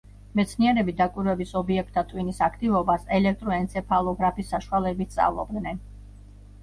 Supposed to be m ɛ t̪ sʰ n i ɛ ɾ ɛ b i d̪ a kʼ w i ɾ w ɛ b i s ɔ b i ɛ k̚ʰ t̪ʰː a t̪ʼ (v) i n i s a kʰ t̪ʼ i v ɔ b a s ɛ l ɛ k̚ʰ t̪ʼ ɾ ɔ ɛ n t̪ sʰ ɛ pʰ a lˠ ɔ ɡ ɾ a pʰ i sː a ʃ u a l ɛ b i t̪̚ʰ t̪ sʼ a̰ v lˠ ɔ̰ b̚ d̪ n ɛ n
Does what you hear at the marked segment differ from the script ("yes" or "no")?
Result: yes